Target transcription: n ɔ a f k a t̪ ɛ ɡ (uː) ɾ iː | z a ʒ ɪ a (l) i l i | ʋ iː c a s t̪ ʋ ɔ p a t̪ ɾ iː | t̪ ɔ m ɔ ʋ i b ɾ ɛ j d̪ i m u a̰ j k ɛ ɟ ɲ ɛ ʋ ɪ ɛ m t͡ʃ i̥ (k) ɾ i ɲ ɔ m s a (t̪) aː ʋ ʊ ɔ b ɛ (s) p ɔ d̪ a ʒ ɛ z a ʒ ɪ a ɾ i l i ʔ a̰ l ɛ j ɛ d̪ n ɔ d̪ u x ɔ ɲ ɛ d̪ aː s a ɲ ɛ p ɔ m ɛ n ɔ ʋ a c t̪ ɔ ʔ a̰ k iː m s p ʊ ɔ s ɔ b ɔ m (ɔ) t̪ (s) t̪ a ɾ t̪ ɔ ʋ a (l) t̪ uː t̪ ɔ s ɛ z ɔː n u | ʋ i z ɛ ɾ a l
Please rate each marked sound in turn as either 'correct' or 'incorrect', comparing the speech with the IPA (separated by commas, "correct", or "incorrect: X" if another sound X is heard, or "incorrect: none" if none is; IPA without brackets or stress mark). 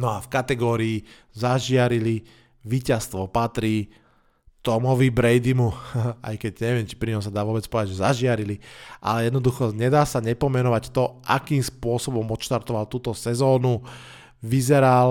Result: incorrect: ɔː, incorrect: ɾ, incorrect: p, incorrect: d̪, incorrect: t͡s, correct, incorrect: ʃ, correct